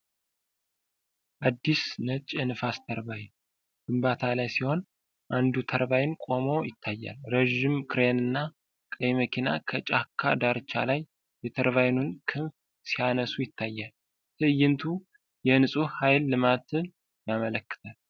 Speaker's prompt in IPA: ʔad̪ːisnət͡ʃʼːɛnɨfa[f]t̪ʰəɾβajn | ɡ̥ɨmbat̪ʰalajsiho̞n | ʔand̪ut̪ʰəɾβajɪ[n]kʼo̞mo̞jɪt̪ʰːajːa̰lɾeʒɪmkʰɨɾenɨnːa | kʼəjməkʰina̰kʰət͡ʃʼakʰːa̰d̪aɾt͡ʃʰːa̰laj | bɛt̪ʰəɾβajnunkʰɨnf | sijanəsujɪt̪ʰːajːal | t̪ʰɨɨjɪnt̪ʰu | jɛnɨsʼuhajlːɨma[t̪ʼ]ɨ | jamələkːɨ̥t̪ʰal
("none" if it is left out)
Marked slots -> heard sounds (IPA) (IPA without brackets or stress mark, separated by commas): s, n, t̪